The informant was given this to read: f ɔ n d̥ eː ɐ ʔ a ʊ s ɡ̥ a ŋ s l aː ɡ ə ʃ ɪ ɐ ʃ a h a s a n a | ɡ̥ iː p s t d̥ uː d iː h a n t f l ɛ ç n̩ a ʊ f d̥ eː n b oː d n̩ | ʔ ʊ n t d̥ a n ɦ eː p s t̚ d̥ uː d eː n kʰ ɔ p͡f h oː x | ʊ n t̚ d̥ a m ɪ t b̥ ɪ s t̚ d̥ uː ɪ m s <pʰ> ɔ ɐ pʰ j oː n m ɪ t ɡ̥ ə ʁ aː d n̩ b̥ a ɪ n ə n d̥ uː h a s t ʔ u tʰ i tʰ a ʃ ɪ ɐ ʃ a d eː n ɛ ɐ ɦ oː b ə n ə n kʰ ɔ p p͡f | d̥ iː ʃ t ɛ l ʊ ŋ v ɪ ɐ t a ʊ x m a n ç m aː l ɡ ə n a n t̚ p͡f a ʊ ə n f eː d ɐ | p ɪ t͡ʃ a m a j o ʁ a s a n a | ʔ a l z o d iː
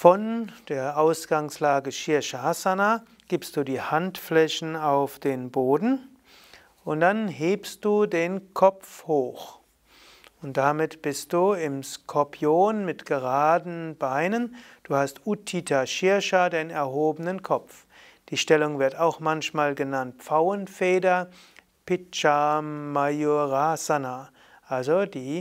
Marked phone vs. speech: incorrect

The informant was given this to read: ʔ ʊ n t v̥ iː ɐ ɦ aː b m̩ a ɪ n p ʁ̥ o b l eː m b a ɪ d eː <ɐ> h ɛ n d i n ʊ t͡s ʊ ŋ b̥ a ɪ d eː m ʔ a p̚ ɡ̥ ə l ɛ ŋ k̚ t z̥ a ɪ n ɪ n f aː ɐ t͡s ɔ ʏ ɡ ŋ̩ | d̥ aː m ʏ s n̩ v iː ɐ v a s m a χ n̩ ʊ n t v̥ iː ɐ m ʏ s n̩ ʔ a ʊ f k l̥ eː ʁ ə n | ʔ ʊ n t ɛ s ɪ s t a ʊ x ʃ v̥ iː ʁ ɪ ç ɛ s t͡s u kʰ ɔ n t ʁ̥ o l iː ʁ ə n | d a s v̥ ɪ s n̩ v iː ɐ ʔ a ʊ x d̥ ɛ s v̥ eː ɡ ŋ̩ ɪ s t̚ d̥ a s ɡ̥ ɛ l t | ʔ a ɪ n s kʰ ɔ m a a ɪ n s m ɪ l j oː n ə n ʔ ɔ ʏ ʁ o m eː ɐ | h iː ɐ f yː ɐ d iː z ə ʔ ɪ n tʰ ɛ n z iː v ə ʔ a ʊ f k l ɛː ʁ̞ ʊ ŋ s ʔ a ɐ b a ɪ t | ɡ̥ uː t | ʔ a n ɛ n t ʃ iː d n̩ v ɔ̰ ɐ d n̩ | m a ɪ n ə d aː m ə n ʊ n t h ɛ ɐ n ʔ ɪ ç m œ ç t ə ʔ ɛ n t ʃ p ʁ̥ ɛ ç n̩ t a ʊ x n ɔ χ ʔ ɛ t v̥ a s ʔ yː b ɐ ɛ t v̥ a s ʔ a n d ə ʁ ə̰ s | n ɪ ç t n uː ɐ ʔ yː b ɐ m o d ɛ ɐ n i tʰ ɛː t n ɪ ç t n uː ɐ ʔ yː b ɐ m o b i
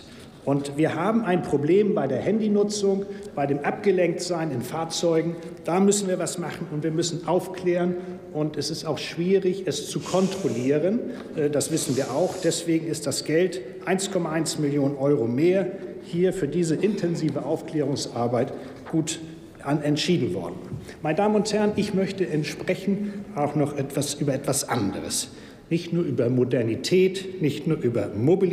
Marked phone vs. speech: correct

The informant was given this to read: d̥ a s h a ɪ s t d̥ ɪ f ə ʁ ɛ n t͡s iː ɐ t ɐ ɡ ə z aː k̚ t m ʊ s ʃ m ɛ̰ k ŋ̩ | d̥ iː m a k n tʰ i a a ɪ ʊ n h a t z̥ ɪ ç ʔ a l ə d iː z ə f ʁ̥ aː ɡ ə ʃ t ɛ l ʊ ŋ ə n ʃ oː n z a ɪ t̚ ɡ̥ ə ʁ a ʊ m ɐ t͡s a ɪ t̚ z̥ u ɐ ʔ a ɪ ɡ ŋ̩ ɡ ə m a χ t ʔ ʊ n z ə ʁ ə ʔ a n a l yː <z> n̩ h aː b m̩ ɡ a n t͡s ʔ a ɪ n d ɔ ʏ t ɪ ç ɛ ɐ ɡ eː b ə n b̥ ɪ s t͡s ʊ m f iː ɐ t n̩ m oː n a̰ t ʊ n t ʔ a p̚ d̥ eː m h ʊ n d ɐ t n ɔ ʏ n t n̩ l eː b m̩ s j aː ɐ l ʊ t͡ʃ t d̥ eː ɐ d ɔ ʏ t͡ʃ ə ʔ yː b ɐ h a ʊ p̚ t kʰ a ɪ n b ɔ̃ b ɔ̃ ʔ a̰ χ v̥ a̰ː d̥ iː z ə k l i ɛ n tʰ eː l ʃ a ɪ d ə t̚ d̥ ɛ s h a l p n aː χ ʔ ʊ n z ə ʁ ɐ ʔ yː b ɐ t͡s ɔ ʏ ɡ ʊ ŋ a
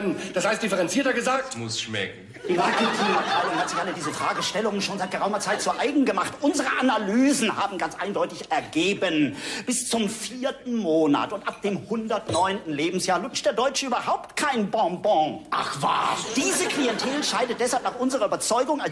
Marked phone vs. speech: correct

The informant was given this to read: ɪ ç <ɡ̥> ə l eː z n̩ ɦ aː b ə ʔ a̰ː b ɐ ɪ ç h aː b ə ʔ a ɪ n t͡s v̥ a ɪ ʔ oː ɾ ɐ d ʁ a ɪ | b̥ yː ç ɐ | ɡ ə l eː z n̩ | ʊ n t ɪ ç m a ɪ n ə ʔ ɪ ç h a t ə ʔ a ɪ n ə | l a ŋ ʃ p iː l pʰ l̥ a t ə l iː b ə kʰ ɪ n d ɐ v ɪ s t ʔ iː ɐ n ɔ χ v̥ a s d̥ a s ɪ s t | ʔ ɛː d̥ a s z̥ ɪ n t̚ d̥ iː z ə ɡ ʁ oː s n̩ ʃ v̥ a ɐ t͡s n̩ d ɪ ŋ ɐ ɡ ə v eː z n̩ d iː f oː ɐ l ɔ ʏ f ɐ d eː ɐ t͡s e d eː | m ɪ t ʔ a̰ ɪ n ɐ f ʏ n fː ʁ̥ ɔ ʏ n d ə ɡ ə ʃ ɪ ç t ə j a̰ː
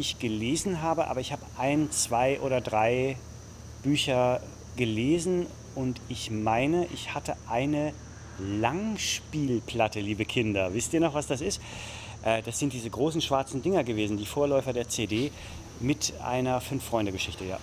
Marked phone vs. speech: correct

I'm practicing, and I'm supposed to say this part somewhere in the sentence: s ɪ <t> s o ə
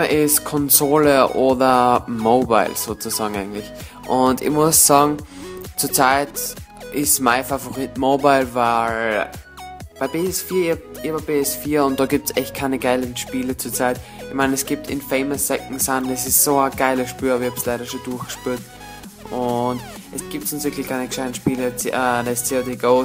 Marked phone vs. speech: incorrect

